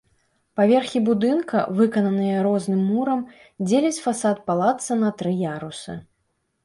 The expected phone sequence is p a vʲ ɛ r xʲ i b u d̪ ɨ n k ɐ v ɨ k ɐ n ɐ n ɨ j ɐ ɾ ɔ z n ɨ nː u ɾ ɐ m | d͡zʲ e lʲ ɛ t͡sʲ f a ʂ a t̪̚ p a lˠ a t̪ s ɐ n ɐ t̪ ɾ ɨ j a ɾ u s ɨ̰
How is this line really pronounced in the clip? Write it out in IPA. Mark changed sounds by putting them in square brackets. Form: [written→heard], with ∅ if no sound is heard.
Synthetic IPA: p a vʲ ɛ r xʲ i b u d̪ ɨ n k ɐ v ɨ k ɐ n ɐ n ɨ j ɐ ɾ ɔ z n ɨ [nː→mː] u ɾ ɐ m | d͡zʲ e lʲ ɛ t͡sʲ f a [ʂ→s] a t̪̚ p a lˠ a t̪ s ɐ n ɐ t̪ ɾ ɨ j a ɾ u s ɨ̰